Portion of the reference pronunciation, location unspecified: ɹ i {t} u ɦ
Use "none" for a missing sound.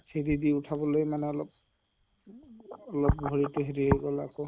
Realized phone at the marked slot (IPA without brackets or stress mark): t